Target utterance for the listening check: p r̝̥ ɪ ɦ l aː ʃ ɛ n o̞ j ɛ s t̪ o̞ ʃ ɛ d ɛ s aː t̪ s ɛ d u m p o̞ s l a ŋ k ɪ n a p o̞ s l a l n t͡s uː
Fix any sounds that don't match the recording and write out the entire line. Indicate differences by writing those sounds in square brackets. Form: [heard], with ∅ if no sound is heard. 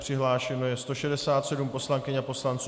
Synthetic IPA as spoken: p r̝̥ ɪ ɦ l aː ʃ ɛ n o̞ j ɛ s t̪ o̞ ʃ ɛ d ɛ s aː t̪ s ɛ d u m p o̞ s l a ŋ k ɪ [ɲ] a p o̞ s l a [∅] n t͡s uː